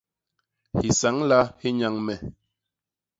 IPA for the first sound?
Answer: h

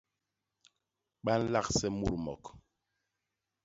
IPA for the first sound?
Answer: ɓ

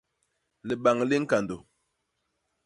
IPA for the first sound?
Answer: l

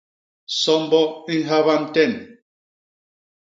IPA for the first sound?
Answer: s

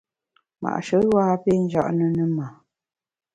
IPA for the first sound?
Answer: m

